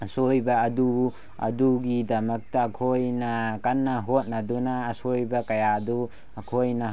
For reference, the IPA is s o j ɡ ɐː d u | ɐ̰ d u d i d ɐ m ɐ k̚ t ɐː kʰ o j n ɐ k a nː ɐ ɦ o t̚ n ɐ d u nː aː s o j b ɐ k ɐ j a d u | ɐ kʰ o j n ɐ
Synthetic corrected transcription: s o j b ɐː d u | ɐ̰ d u ɡ i d ɐ m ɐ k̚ t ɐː kʰ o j n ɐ k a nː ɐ ɦ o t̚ n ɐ d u n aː s o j b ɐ k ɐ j a d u | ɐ kʰ o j n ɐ